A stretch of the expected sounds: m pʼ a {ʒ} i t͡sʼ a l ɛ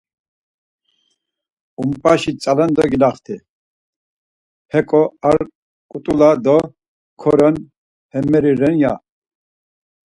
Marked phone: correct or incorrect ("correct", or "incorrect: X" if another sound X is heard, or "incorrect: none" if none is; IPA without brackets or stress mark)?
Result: incorrect: ʃ